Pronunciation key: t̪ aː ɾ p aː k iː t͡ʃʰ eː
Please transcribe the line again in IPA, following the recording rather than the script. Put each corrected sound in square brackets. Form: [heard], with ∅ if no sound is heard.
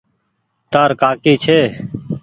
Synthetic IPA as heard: t̪ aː ɾ [k] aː k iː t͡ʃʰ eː